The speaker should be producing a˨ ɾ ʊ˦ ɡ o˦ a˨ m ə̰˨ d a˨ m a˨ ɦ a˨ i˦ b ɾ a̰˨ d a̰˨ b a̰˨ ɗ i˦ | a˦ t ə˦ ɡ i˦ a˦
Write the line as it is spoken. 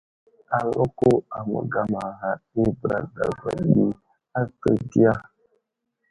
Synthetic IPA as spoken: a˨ l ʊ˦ k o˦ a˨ m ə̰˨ ɡ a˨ m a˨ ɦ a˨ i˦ b ɾ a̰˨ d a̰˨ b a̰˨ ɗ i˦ | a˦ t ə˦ ɡ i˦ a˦